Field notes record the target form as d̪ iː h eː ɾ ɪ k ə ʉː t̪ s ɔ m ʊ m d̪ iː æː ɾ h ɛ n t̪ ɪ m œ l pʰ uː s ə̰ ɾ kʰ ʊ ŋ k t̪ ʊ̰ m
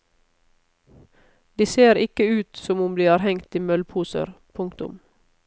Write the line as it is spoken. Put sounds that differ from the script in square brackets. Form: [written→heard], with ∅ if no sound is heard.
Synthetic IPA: d̪ iː [h→s] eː ɾ ɪ k ə ʉː t̪ s ɔ m ʊ m d̪ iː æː ɾ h ɛ [n→ŋ] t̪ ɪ m œ l pʰ uː s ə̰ ɾ [kʰ→pʰ] ʊ ŋ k t̪ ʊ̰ m